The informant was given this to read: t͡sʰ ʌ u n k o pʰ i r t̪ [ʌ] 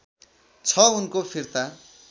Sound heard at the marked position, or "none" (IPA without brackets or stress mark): a